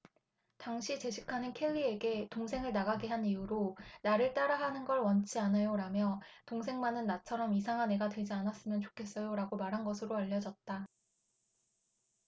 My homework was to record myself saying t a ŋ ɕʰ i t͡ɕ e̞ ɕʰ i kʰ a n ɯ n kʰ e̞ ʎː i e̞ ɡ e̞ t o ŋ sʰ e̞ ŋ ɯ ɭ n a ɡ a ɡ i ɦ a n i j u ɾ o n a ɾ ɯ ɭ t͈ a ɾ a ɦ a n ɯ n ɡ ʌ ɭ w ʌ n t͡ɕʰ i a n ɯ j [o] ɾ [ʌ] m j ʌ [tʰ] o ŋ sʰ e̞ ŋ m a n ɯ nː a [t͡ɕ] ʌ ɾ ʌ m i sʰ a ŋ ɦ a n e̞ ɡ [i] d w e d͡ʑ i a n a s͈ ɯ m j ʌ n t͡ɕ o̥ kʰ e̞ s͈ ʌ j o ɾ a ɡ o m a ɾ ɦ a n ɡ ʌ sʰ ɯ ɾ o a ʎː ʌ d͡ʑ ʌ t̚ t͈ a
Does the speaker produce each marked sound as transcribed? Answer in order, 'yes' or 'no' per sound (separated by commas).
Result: yes, no, no, no, no